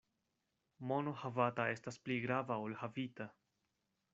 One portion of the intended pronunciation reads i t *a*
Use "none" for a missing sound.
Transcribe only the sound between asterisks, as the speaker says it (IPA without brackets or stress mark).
a